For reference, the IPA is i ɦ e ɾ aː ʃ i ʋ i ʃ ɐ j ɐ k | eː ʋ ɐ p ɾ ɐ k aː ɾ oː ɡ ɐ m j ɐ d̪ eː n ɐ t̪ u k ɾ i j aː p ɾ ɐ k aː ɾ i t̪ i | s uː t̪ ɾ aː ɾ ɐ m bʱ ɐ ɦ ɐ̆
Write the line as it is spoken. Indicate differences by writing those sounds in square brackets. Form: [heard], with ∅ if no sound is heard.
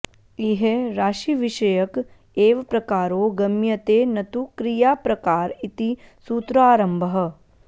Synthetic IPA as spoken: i ɦ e ɾ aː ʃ i ʋ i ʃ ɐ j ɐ k | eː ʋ ɐ p ɾ ɐ k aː ɾ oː ɡ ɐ m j ɐ [t̪] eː n ɐ t̪ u k ɾ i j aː p ɾ ɐ k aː ɾ i t̪ i | s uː t̪ ɾ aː ɾ ɐ m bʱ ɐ ɦ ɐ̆